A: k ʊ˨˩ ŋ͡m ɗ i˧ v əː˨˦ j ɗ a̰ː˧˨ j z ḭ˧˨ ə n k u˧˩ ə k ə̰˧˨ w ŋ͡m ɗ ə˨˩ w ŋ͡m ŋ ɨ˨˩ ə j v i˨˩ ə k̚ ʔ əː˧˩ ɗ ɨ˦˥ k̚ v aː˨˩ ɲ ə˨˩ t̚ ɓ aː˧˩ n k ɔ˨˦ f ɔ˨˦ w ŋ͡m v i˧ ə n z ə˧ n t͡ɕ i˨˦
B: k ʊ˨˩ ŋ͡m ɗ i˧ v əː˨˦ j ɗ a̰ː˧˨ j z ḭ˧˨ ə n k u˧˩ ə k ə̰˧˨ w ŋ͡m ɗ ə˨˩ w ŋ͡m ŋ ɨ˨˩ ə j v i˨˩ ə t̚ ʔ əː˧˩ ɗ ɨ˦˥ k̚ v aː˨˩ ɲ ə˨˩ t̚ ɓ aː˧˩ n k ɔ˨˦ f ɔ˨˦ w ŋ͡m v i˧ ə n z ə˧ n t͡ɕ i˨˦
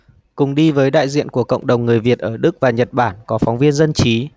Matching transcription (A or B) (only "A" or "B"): B